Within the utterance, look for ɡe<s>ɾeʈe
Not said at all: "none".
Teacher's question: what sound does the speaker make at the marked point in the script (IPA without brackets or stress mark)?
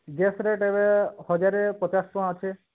s